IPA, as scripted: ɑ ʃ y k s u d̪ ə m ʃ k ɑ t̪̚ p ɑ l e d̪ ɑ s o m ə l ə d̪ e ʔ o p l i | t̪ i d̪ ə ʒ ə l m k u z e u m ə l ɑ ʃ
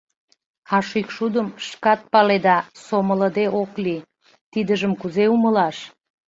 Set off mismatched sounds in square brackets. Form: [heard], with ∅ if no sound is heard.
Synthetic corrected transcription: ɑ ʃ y k [ʃ] u d̪ ə m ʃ k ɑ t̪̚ p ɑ l e d̪ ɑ s o m ə l ə d̪ e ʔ o [k] l i | t̪ i d̪ ə ʒ ə [∅] m k u z e u m ə l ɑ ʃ